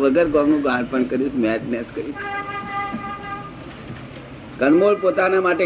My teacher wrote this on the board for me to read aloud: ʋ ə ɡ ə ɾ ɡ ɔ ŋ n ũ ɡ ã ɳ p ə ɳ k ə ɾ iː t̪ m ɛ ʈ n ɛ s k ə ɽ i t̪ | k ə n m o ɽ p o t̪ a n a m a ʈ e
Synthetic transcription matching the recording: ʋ ə ɡ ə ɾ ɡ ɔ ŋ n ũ ɡ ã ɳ p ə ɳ k ə ɾ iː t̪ m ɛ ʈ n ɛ s k ə ɾ i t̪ | k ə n m o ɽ p o t̪ a n a m a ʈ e